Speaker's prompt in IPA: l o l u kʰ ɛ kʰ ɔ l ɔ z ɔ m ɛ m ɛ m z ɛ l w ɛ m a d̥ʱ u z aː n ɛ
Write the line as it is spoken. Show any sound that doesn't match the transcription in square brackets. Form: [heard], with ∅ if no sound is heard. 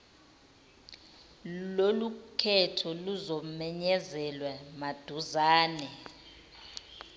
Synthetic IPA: l o l u kʰ ɛ [tʰ] ɔ l [u] z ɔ m ɛ [ɲ] ɛ [∅] z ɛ l w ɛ m a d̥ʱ u z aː n ɛ